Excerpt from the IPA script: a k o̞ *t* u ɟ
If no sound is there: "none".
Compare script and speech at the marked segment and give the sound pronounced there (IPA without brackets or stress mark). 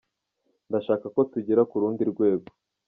t